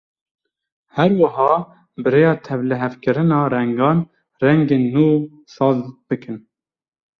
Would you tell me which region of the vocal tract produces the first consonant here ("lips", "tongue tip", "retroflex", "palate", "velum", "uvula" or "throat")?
throat